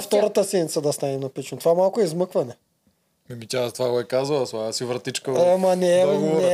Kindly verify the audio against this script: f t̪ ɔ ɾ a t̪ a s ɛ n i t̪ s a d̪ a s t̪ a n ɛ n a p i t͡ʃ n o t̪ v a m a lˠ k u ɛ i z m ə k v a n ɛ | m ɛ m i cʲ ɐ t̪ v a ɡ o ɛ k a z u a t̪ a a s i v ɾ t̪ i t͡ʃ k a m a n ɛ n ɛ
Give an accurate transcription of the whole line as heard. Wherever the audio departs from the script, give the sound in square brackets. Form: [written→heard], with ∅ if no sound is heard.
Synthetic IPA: f t̪ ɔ ɾ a t̪ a s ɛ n i t̪ s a d̪ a s t̪ a n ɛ n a p i t͡ʃ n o t̪ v a m a lˠ k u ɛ i z m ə k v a n ɛ | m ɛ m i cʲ [ɐ→a] t̪ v a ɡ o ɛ k a z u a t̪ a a s i v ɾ t̪ i t͡ʃ k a m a n ɛ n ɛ